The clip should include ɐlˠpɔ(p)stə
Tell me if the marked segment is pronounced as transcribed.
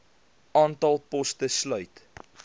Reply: no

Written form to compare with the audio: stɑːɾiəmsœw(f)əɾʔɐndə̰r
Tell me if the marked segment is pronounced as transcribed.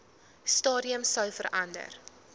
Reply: yes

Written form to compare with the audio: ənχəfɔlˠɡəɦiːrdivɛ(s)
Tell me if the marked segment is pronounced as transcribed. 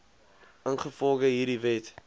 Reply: no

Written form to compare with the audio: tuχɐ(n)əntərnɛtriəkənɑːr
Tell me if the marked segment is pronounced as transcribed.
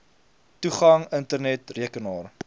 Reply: no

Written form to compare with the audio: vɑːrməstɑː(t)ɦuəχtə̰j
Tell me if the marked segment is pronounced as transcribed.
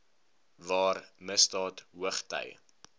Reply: yes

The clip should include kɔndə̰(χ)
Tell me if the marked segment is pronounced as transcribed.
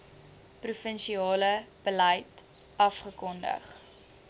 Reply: yes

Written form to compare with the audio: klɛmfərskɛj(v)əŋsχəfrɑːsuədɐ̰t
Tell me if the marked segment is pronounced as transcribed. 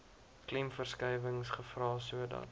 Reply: yes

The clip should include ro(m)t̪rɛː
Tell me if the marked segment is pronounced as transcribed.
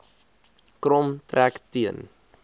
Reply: yes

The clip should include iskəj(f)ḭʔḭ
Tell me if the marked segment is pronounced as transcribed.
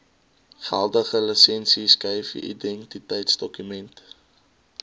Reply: yes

